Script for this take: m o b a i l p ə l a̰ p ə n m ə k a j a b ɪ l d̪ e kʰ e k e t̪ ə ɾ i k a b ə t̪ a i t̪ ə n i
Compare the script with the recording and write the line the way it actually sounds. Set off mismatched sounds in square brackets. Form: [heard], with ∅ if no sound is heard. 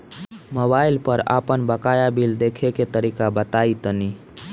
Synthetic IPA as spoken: m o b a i l p ə [ɾ] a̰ p ə n [b] ə k a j a b [i] l d̪ e kʰ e k e t̪ ə ɾ i k a b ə t̪ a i t̪ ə n i